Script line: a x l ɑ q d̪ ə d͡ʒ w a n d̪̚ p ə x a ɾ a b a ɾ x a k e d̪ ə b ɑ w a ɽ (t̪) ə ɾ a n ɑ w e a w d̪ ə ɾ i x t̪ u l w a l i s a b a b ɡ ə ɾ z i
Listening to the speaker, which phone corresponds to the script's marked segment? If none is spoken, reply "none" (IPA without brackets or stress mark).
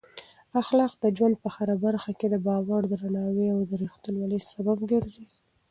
d̪